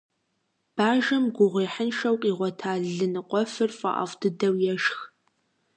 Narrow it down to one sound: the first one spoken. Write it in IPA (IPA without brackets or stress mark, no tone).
b̥